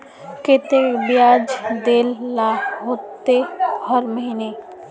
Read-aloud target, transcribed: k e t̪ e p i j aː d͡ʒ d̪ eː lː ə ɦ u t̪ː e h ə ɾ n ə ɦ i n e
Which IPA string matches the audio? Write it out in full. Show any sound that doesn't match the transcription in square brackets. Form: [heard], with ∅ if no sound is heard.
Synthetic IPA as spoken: k e t̪ e [b] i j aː d͡ʒ d̪ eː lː [a] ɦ [o] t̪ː e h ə ɾ [m] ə ɦ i n e

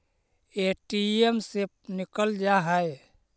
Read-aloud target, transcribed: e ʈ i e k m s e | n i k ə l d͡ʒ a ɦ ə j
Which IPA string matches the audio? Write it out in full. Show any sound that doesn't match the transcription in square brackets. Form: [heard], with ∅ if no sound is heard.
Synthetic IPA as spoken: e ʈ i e [∅] m s e | n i k ə l d͡ʒ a ɦ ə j

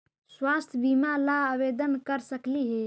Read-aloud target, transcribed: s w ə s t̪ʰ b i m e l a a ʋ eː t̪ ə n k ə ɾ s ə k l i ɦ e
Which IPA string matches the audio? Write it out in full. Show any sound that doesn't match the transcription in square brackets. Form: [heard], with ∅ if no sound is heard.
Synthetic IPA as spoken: s w [a] s t̪ʰ b i m [a] l a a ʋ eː [d̪] ə n k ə ɾ s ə k l i ɦ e

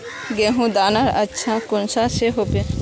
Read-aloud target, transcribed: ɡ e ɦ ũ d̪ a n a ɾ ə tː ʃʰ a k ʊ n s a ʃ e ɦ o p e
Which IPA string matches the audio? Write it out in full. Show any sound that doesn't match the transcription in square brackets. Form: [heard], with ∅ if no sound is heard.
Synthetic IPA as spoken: ɡ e ɦ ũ d̪ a n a ɾ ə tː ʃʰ a k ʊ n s a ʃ e ɦ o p e

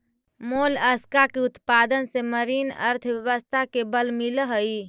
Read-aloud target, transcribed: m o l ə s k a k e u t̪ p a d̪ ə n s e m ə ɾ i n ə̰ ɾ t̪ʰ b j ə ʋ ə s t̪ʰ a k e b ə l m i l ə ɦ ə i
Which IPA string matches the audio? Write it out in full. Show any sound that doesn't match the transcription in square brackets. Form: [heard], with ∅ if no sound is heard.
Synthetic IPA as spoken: m o l ə s k a k e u t̪ p a d̪ ə n s e m ə ɾ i n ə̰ ɾ t̪ʰ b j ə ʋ ə s t̪ʰ a k e b ə l m i l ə ɦ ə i

